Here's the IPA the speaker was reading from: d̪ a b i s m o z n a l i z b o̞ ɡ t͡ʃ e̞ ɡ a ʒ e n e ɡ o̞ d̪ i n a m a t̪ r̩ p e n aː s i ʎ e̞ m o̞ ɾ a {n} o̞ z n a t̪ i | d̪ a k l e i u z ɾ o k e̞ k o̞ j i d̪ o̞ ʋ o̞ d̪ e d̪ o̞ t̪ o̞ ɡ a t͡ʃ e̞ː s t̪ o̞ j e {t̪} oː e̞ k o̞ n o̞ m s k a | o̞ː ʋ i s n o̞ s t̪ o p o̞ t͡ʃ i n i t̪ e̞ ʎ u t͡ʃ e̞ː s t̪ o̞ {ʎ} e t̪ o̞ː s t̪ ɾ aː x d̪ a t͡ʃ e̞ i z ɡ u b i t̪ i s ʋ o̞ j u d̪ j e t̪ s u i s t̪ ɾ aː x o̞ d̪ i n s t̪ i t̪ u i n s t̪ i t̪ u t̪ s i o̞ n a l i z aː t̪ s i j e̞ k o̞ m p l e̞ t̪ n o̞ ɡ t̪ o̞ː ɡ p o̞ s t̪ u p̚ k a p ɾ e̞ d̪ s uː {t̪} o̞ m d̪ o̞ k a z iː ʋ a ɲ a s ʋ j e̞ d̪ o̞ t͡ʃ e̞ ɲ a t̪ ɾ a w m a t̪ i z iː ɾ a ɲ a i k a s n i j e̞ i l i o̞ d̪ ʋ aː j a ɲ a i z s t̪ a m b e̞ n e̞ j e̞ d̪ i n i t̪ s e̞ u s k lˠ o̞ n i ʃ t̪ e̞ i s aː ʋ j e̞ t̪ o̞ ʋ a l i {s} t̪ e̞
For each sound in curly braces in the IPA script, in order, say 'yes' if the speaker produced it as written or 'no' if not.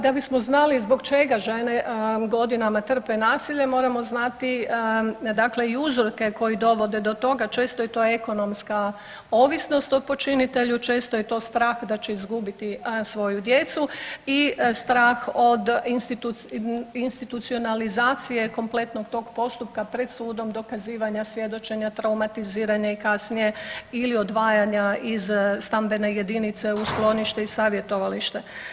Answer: no, yes, no, no, no

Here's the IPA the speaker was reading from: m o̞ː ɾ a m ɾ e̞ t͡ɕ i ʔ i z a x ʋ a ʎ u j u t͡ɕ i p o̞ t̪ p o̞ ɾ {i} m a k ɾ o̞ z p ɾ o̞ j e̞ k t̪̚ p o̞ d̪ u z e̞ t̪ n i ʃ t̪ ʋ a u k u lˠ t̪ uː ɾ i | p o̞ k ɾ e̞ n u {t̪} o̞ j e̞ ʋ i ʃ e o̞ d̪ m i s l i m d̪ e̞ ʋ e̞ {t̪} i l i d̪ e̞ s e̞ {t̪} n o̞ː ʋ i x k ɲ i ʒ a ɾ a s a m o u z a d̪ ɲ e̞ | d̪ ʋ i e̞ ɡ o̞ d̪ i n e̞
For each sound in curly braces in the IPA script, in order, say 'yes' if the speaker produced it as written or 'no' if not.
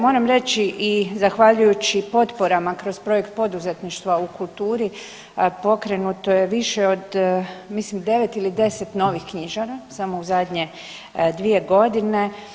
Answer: no, yes, yes, yes

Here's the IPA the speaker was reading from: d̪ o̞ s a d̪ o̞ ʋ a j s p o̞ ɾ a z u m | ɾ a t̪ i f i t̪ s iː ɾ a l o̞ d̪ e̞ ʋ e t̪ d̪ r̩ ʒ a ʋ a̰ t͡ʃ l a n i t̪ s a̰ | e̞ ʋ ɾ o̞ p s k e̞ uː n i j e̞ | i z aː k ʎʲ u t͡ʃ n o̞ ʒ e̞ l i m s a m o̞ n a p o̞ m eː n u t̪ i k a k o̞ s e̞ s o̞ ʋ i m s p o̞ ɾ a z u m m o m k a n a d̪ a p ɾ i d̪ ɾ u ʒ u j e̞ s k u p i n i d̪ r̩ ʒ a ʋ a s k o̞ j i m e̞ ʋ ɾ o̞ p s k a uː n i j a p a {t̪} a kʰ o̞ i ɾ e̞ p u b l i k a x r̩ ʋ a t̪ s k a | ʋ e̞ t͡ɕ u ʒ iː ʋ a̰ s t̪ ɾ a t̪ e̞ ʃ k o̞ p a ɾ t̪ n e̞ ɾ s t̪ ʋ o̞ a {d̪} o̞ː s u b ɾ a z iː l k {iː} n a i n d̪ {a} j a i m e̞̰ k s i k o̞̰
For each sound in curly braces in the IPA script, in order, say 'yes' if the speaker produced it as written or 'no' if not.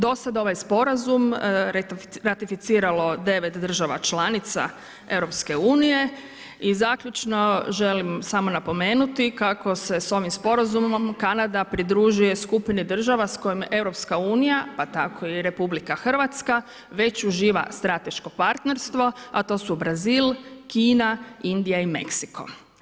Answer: yes, no, yes, no

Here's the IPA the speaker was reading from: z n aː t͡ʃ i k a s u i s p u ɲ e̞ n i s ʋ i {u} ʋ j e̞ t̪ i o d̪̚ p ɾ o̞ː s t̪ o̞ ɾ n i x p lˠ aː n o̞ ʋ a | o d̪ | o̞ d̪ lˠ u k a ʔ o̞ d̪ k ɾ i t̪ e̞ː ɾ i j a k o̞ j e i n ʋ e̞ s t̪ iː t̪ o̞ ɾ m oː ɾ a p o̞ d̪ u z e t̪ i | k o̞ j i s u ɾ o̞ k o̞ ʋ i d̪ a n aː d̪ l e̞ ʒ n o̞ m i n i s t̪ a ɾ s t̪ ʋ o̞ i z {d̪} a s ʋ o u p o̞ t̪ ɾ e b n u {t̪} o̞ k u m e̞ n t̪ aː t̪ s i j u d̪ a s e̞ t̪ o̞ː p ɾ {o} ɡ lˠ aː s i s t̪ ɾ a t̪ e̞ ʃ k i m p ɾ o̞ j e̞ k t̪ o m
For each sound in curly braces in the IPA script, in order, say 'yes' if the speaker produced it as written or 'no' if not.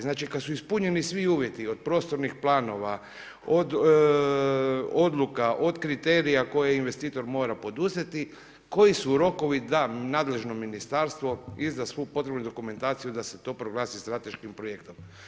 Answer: no, yes, no, yes

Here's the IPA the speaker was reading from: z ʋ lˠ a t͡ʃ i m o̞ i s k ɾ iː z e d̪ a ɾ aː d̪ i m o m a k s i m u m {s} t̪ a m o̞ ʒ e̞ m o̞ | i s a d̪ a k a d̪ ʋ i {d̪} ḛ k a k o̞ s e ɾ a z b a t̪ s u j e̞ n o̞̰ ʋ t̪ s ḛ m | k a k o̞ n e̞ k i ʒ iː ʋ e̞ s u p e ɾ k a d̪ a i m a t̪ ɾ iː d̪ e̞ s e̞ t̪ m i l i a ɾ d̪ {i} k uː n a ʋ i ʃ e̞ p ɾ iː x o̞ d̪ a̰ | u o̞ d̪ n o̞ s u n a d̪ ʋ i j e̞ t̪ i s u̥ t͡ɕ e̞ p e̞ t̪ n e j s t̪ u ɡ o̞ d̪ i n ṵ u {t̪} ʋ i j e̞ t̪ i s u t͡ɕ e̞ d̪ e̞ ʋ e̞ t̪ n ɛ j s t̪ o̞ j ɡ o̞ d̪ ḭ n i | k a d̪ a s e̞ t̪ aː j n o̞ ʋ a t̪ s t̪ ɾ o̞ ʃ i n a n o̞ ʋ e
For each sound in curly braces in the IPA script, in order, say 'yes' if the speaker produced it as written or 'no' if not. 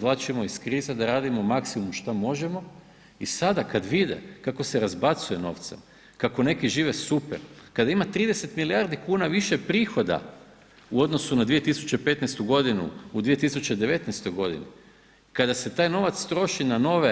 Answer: no, yes, yes, no

